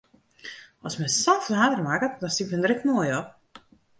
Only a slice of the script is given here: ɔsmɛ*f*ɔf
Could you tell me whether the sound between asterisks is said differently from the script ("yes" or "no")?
yes